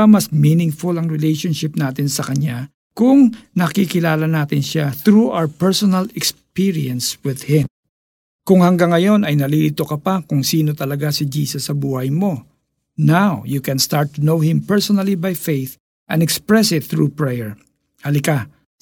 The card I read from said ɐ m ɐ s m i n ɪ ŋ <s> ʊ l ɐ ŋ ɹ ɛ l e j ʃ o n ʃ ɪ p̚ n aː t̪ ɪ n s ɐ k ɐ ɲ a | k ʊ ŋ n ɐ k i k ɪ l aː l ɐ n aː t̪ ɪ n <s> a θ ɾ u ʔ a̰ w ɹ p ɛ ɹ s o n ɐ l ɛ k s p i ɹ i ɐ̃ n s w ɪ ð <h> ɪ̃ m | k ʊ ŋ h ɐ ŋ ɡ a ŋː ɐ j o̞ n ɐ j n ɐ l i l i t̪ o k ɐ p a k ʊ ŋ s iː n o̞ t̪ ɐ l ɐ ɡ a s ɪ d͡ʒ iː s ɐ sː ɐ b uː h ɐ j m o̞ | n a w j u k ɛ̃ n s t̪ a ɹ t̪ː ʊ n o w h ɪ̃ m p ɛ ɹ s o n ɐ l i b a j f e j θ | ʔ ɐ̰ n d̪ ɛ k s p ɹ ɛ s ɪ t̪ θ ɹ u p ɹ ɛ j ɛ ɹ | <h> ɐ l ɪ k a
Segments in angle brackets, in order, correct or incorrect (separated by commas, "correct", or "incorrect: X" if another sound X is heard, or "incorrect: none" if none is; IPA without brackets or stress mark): incorrect: f, incorrect: ʃ, correct, correct